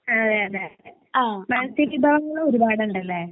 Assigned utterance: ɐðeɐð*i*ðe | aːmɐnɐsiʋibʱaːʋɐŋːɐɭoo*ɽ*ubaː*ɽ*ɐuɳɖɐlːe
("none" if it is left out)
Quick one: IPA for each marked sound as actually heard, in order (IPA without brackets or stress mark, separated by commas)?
e, ɾ, ɽ